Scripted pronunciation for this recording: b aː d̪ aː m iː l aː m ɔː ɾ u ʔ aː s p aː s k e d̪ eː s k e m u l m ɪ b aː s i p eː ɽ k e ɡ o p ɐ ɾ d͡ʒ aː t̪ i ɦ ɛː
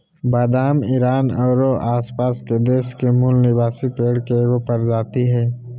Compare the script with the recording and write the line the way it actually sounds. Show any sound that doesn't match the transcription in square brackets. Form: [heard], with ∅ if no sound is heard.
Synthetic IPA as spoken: b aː d̪ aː m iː [ɾ] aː [n] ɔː ɾ [o] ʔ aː s p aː s k e d̪ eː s k e m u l [n] ɪ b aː s i p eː ɽ k e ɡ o p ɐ ɾ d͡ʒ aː t̪ i ɦ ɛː

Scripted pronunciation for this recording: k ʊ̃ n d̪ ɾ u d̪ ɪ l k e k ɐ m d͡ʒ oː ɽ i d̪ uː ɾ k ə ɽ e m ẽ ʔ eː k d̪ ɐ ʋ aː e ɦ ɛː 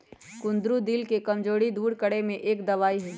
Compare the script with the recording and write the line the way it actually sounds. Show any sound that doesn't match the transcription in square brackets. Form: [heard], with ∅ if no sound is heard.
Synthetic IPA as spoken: k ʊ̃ n d̪ ɾ u d̪ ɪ l k e k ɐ m d͡ʒ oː ɽ i d̪ uː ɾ k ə ɽ e m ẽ ʔ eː k d̪ ɐ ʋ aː [i] ɦ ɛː

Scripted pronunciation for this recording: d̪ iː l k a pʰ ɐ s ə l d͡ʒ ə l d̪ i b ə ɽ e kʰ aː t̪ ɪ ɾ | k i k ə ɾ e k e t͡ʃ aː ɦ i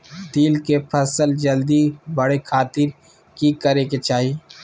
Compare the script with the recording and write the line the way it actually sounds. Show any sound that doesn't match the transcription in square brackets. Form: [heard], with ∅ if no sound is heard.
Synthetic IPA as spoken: d̪ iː l k [e] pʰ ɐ s ə l d͡ʒ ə l d̪ i b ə ɽ e kʰ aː t̪ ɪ ɾ | k i k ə ɾ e k e t͡ʃ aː ɦ i

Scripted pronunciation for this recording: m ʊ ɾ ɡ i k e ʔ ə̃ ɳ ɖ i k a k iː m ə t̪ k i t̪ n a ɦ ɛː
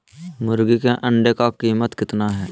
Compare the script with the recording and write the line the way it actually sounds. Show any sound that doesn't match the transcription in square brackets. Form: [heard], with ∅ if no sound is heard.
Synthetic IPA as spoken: m ʊ ɾ ɡ i k e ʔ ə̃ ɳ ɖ [e] k a k iː m ə t̪ k [ɪ] t̪ n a ɦ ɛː

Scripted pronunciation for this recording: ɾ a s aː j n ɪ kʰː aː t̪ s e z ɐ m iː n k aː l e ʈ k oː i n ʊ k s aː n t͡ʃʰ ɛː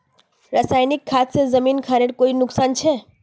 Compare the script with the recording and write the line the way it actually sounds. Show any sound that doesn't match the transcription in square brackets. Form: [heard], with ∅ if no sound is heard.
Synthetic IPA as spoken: ɾ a s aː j n ɪ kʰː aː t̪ s e z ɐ m iː n [kʰ] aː [ɾ] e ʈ k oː i n ʊ k s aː n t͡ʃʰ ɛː

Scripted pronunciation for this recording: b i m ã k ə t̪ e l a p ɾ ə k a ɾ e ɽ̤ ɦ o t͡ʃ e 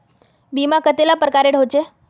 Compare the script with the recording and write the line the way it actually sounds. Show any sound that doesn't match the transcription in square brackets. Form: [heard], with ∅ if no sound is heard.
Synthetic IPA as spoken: b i m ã k ə t̪ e l a p ɾ ə k a ɾ e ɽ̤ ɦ o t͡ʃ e

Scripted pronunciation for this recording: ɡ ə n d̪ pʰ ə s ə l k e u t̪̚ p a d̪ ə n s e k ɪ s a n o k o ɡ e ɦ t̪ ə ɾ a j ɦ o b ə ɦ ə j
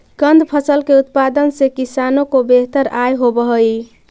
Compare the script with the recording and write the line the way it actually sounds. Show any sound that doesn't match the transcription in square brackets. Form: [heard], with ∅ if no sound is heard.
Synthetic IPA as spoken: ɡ ə n d̪ pʰ ə s ə l k e u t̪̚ p a d̪ ə n s e k [i] s a n o k o [b] e ɦ t̪ ə ɾ a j ɦ o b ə ɦ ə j

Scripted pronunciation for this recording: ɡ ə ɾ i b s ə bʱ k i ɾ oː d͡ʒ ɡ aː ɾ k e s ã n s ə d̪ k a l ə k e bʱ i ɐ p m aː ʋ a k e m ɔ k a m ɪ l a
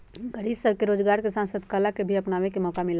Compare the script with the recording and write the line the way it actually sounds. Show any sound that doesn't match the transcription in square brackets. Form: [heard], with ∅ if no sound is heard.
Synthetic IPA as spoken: ɡ ə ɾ i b s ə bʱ k [e] ɾ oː d͡ʒ ɡ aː ɾ k e s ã n s ə d̪ k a l [a] k e bʱ i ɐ p [n] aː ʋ [e] k e m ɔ k a m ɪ l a

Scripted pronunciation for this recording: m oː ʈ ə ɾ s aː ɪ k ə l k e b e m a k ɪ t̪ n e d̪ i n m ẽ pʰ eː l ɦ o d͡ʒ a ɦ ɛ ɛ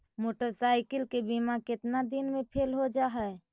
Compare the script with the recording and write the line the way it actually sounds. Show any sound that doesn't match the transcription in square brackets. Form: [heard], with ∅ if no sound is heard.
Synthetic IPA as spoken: m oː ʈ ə ɾ s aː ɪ k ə l k e b [i] m a k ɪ t̪ n [a] d̪ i n m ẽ pʰ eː l ɦ o d͡ʒ a ɦ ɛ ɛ

